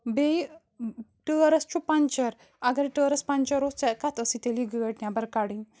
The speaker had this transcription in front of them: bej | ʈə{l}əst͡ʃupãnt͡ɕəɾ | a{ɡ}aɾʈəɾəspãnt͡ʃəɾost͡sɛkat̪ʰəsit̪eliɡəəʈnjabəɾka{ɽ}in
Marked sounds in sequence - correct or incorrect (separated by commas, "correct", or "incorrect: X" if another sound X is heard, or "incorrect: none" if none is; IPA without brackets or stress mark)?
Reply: incorrect: ɾ, correct, correct